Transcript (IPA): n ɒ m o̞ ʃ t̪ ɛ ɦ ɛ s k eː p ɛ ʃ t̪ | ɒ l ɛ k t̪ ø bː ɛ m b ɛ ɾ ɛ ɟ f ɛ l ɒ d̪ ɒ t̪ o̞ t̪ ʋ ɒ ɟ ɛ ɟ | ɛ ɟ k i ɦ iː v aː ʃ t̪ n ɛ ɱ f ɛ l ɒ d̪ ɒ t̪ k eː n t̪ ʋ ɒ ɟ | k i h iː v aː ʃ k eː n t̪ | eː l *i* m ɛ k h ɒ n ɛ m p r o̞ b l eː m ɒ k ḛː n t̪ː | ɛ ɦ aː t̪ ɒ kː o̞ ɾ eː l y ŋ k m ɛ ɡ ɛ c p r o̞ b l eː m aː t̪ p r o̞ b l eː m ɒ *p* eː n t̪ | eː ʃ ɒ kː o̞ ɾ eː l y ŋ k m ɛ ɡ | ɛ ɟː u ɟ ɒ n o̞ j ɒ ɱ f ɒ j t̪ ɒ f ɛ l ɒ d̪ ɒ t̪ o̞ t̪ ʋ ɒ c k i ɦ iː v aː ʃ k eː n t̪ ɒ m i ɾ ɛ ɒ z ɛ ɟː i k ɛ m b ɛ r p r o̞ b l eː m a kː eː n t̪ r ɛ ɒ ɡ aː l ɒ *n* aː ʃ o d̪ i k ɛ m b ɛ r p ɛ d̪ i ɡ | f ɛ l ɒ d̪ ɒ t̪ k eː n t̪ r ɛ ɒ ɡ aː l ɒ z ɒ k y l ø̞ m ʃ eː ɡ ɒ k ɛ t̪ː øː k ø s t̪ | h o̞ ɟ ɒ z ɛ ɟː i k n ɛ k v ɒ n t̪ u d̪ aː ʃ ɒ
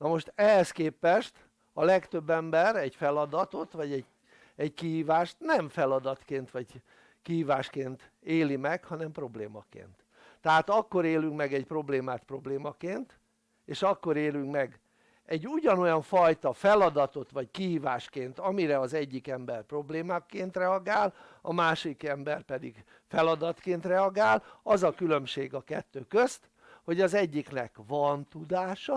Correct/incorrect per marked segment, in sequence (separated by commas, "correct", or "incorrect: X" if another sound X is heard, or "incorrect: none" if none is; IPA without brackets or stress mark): correct, incorrect: k, incorrect: m